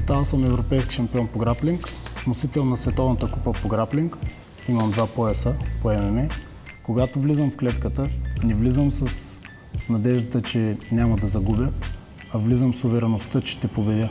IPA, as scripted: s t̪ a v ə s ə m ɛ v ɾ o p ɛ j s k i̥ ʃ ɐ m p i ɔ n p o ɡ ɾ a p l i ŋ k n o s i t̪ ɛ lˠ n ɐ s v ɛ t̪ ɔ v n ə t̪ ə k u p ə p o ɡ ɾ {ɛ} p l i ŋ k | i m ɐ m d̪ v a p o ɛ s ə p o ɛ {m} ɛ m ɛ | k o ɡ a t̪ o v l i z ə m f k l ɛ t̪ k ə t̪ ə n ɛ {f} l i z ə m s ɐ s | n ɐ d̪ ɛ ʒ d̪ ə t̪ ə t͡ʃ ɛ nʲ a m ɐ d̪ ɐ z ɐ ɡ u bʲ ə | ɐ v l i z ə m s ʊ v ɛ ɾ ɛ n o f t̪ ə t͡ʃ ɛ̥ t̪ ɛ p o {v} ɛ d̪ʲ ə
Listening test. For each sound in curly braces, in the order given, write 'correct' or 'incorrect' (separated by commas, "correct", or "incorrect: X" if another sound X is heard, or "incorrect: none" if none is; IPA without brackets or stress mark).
incorrect: a, correct, incorrect: v, incorrect: b